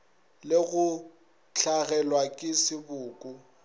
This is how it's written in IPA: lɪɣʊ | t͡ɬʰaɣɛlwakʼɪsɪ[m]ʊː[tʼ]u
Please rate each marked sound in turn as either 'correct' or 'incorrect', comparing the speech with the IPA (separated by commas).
incorrect, incorrect